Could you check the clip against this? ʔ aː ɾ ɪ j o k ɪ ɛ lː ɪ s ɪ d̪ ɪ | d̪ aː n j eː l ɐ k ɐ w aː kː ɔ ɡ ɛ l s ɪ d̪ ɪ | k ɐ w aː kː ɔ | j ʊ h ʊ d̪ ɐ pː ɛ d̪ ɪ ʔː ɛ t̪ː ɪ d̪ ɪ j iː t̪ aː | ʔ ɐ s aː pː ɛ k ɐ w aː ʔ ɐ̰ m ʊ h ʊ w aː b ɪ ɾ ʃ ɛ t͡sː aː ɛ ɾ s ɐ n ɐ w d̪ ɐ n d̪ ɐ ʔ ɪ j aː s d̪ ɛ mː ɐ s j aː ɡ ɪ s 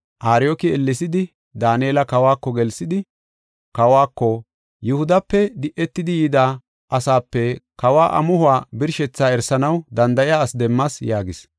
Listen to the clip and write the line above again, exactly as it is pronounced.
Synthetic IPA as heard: ʔ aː ɾ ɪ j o k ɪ ɛ lː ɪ s ɪ d̪ ɪ | d̪ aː n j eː l ɐ k ɐ w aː kː ɔ ɡ ɛ l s ɪ d̪ ɪ | k ɐ w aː kː ɔ | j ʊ h ʊ d̪ ɐ pː ɛ d̪ ɪ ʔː ɛ t̪ː ɪ d̪ ɪ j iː d̪ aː | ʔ ɐ s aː pː ɛ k ɐ w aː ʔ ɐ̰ m ʊ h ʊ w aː b ɪ ɾ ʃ ɛ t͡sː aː ɛ ɾ s ɐ n ɐ w d̪ ɐ n d̪ ɐ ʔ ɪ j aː s d̪ ɛ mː ɐ s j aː ɡ ɪ s